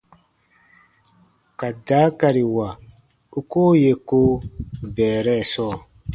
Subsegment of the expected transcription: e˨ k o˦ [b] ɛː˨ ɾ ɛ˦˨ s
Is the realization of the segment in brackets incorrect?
no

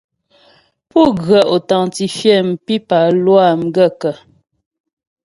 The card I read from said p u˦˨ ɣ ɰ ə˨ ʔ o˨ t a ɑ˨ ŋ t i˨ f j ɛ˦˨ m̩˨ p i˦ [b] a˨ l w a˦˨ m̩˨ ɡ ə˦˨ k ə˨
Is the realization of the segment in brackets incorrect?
yes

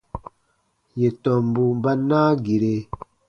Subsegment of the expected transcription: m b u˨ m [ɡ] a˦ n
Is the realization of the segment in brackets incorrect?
yes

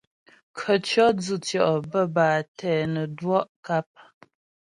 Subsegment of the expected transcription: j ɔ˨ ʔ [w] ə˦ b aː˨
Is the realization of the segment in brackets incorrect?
yes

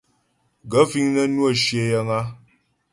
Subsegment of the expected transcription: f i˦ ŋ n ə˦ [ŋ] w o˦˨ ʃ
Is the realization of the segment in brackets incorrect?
yes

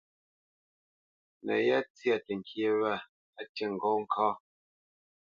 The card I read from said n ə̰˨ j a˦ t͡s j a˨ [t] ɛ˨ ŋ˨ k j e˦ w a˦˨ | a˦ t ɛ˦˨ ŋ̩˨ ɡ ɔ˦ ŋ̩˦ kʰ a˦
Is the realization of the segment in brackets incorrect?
no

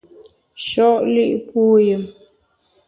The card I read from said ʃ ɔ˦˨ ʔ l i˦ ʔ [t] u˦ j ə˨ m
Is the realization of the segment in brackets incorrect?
yes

